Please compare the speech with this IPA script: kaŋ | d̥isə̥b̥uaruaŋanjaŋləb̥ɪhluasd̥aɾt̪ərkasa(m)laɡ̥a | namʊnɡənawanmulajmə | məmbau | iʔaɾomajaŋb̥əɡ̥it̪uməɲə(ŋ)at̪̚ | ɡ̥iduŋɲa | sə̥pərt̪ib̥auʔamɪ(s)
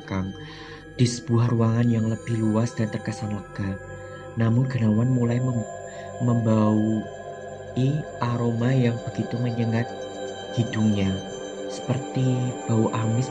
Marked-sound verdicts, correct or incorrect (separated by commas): incorrect, correct, correct